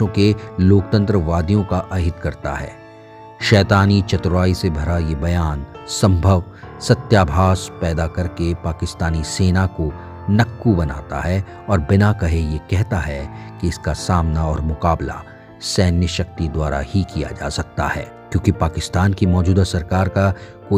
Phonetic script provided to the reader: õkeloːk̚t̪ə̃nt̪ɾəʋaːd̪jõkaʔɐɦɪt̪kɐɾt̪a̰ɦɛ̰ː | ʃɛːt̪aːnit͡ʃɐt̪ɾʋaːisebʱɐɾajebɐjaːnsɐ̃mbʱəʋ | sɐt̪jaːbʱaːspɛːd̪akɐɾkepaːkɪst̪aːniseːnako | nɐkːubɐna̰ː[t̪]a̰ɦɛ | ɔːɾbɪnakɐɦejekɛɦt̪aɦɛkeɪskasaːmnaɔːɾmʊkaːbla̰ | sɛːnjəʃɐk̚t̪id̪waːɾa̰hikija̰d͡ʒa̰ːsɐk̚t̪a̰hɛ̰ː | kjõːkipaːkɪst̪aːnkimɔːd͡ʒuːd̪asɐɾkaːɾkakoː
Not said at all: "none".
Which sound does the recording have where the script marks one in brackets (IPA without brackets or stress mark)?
t̪